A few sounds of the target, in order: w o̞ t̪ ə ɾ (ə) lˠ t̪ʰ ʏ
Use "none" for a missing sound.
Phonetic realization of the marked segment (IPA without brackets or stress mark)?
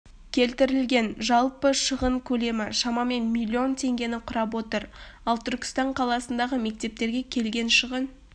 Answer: ɑ